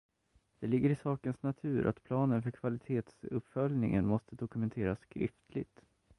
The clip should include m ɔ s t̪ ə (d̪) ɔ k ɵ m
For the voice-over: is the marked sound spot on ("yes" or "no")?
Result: yes